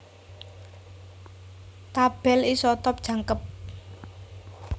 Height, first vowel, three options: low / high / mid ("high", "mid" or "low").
low